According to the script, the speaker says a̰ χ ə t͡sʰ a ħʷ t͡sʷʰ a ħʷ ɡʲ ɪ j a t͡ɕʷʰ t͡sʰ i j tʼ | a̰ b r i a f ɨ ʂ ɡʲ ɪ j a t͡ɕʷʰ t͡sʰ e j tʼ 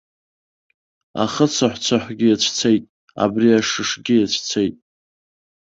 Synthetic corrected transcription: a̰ χ ə t͡sʰ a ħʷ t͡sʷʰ a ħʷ ɡʲ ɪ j a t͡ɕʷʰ t͡sʰ e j tʼ | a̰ b r i a ʂ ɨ ʂ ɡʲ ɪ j a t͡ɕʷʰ t͡sʰ e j tʼ

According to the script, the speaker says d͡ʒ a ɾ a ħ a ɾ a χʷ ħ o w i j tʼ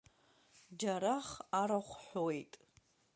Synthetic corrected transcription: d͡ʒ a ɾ a χ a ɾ a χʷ ħ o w e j tʼ

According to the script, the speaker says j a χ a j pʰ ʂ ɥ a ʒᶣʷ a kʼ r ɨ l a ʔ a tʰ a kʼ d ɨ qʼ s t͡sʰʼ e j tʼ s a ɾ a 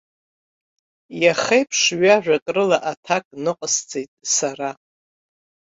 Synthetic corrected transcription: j a χ e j pʰ ʂ ɥ a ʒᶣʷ a kʼ r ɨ l a ʔ a tʰ a kʼ n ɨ qʼ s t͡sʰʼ e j tʼ s a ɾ a

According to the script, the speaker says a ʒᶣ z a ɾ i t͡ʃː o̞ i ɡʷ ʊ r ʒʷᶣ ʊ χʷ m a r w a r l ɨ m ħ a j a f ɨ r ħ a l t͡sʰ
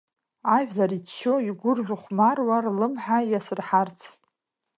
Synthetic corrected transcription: a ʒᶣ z a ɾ i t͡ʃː o̞ i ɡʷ ʊ r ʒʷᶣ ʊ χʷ m a r w a r l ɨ m ħ a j a s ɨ r ħ a r t͡sʰ

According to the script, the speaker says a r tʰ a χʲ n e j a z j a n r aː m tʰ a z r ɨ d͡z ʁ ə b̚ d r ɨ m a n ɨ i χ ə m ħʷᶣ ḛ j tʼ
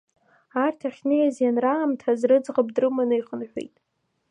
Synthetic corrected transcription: a r tʰ a χʲ n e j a z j a n r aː m tʰ a z r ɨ d͡z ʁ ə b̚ d r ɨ m a n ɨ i χ ə n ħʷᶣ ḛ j tʼ

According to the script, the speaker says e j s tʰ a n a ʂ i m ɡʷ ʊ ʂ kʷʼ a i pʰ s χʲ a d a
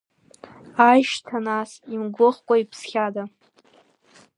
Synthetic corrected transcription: a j ʃ tʰ a n a s i m ɡʷ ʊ χ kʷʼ a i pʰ s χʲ a d a

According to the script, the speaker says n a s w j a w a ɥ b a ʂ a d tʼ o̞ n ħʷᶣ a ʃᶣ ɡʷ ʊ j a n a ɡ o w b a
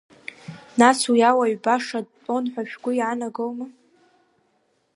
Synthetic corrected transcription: n a s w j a w a ɥ b a ʂ a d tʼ o̞ n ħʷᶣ a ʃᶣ ɡʷ ʊ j a n a ɡ o w m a

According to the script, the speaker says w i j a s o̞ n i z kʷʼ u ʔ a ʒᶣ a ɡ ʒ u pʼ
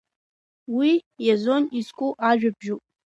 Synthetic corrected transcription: w i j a z o̞ n i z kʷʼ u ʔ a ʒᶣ a b ʒ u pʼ

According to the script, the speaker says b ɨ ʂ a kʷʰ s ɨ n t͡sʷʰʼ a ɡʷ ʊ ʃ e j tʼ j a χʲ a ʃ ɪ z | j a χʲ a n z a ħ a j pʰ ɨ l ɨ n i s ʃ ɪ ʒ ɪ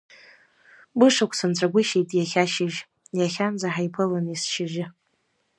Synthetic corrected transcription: b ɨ ʂ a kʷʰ s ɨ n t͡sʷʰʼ a ɡʷ ʊ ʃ e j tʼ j a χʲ a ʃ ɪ ʒ | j a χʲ a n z a ħ a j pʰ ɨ l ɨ n i s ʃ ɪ ʒ ɪ

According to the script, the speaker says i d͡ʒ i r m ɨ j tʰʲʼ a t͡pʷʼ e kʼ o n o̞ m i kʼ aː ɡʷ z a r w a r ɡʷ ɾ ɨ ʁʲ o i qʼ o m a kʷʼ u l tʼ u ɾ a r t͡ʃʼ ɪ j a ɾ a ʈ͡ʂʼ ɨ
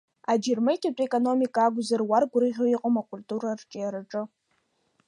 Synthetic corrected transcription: a d͡ʒ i r m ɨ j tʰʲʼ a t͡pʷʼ e kʼ o n o̞ m i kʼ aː ɡʷ z a r w a r ɡʷ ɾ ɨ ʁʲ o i qʼ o m a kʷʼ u l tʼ u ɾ a r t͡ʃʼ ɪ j a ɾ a ʈ͡ʂʼ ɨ

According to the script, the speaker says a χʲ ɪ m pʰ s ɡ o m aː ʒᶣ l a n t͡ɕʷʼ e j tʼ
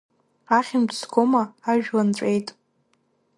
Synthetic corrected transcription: a χʲ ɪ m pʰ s ɡ o m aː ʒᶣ l a n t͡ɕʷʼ e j tʼ

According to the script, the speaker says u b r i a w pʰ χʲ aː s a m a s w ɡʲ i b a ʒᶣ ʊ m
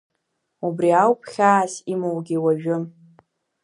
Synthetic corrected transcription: u b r i a w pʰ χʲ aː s i m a w ɡʲ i w a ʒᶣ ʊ m

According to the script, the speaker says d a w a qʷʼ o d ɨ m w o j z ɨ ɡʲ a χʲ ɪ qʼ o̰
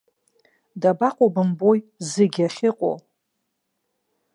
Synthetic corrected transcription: d a b a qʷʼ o b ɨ m b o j z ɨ ɡʲ a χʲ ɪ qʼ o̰

